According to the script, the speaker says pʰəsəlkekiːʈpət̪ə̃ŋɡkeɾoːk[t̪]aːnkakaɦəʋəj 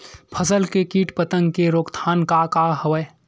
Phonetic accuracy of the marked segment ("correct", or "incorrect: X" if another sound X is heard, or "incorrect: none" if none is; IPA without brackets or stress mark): incorrect: t̪ʰ